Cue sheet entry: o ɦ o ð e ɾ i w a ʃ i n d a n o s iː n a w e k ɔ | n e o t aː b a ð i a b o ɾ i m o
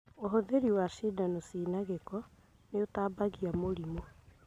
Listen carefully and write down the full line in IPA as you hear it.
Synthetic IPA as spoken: o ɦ o ð e ɾ i w a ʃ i d a n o s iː n a ɣ e k ɔ | n e o t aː b a ɣ i a m o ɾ i m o